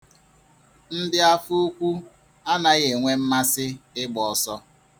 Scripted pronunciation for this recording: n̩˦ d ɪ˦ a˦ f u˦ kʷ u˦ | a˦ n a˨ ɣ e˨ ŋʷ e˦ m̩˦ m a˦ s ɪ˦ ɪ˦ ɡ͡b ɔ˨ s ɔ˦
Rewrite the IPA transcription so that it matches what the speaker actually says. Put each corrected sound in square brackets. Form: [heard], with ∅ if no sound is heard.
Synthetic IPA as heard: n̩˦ d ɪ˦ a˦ f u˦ kʷ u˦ | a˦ n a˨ ɣ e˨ ŋʷ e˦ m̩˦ m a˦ s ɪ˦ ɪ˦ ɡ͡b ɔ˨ s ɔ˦